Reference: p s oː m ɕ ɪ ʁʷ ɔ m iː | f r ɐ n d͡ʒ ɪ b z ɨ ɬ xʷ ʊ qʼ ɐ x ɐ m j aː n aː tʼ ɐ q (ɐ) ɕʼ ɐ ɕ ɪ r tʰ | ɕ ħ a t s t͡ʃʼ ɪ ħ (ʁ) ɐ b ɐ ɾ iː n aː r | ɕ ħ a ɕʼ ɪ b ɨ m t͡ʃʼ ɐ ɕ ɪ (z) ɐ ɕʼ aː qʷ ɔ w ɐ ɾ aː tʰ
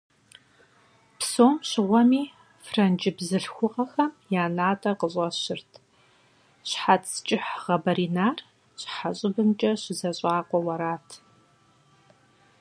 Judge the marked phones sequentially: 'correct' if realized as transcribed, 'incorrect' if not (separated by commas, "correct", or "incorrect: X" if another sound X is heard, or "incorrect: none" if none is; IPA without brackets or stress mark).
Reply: incorrect: ə, correct, correct